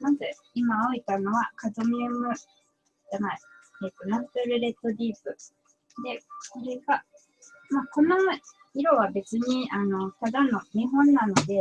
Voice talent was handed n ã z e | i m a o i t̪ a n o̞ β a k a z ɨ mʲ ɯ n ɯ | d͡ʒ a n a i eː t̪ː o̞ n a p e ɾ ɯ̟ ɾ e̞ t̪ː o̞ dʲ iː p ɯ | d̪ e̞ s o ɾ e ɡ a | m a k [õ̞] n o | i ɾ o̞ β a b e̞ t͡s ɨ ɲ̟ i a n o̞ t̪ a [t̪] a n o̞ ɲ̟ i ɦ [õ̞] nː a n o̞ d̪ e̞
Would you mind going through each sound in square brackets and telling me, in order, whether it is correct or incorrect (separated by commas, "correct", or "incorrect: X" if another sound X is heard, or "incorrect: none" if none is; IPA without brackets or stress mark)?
incorrect: o̞, incorrect: d̪, correct